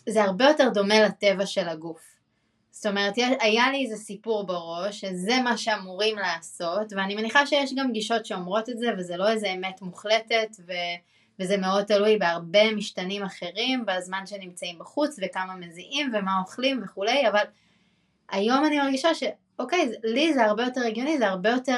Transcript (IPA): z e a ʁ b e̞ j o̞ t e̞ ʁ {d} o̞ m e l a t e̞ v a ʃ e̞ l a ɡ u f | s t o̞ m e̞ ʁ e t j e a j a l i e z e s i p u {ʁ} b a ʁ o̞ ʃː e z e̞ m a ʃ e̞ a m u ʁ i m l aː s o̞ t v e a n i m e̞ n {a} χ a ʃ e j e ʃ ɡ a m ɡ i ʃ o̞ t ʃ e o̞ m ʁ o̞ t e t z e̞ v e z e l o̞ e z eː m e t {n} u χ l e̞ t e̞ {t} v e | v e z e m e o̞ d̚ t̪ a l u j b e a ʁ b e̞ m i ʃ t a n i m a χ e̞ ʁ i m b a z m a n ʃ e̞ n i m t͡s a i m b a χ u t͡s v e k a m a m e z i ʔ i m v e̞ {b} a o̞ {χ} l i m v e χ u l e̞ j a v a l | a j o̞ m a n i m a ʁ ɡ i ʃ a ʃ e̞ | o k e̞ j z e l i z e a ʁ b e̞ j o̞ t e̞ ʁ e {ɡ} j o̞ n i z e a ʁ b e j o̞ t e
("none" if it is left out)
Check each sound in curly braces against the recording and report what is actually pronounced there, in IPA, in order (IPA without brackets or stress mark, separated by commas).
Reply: d, ʁ, i, m, t, m, χ, ɡ